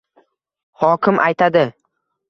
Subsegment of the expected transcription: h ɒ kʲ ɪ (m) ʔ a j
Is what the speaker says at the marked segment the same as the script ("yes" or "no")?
yes